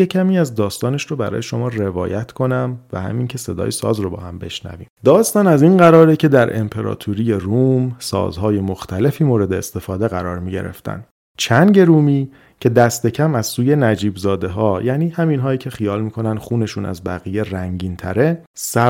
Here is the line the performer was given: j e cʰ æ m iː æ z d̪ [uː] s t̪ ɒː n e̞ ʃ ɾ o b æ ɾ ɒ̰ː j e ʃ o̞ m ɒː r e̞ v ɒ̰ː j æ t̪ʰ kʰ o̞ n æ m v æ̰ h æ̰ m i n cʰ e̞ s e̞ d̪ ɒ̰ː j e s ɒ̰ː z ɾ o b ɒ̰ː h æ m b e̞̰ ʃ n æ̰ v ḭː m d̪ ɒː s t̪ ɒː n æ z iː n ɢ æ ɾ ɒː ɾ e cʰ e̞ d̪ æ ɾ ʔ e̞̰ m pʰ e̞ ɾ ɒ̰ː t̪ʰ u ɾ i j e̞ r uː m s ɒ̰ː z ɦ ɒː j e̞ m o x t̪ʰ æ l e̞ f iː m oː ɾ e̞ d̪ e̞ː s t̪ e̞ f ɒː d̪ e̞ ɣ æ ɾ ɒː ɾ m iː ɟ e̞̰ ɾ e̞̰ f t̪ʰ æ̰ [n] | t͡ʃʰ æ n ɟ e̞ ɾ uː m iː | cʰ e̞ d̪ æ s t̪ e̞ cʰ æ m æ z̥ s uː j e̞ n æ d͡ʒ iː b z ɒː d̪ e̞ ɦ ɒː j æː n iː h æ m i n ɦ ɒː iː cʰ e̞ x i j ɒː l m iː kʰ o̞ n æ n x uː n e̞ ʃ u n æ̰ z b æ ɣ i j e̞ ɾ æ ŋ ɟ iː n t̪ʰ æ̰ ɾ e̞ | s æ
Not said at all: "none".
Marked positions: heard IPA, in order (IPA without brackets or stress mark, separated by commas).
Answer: ɒː, n